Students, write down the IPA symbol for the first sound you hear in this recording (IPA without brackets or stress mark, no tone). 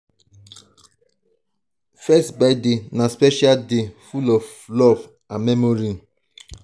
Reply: f